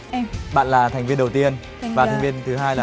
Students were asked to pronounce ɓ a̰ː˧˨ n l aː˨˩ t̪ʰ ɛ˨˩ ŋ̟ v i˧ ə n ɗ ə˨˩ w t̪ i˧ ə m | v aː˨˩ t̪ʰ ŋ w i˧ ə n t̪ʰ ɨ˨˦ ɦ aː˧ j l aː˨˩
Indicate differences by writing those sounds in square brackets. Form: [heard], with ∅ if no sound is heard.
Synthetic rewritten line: ɓ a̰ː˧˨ n l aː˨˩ t̪ʰ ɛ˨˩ ŋ̟ v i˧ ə n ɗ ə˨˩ w t̪ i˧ ə [n] | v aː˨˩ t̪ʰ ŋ [v] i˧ ə n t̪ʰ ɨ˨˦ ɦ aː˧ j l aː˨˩